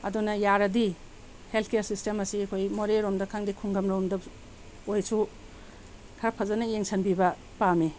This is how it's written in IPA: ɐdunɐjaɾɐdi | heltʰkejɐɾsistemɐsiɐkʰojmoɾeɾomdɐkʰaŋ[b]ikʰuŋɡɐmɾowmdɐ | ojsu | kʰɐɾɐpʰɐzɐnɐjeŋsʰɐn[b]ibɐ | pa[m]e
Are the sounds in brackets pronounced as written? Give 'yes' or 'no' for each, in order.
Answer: no, yes, yes

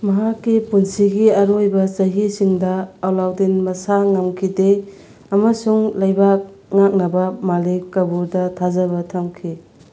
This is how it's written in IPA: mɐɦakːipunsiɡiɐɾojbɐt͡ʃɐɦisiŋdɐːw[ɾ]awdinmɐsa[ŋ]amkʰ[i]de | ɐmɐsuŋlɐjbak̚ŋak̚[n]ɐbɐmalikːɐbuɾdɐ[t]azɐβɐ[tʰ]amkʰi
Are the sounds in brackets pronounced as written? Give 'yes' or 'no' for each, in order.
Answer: no, yes, yes, yes, no, yes

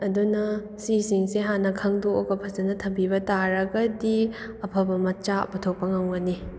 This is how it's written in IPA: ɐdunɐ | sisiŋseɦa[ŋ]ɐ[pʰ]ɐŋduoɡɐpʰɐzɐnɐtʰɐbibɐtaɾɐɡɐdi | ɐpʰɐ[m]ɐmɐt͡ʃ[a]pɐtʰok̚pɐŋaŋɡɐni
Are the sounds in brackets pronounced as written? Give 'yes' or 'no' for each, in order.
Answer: no, no, no, yes

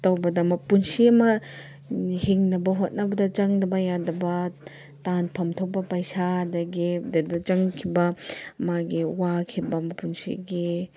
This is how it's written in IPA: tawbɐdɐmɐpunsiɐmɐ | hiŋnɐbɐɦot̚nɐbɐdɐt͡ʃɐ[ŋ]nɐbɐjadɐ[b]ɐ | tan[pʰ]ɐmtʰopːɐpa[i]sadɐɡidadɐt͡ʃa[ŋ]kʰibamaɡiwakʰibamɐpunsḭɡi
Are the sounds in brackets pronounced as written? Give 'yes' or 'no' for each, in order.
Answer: yes, yes, yes, no, yes

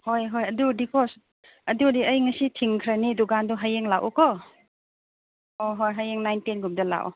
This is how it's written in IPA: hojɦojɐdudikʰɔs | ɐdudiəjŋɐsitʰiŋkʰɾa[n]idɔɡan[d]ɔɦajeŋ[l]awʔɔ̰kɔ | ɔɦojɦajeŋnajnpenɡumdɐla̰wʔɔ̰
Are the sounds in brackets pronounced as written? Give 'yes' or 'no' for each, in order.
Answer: yes, yes, yes

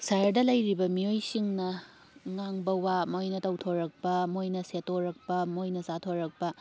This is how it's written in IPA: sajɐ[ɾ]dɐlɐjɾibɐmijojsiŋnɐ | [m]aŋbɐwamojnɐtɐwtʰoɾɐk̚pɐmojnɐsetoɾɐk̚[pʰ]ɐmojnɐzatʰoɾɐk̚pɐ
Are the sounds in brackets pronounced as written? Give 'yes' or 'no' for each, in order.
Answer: yes, no, no

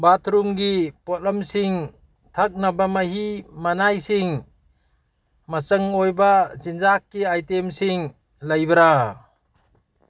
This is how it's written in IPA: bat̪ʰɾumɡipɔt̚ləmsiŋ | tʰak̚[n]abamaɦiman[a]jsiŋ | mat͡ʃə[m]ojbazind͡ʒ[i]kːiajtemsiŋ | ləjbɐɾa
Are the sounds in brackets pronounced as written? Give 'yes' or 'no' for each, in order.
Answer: yes, yes, no, no

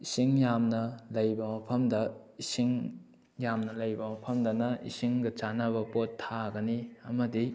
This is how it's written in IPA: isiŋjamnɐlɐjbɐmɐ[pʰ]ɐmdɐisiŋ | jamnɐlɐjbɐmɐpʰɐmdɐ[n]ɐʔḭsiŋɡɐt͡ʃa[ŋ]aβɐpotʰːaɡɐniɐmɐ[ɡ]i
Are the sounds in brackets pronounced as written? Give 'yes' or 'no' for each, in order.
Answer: yes, yes, no, no

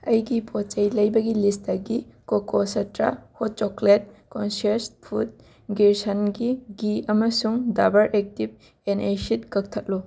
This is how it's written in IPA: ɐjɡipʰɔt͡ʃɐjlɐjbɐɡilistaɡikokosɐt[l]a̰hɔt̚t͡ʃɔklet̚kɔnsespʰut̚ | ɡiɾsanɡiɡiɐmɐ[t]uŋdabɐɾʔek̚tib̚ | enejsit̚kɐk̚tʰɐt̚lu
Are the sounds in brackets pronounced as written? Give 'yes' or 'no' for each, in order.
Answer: no, no

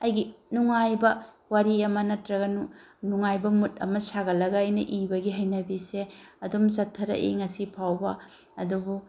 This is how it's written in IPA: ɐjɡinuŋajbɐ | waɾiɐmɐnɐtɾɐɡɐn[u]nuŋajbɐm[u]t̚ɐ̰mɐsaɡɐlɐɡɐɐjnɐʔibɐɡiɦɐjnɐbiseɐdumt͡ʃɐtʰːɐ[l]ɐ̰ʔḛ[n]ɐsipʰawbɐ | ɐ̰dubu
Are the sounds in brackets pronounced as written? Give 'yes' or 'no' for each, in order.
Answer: yes, yes, no, no

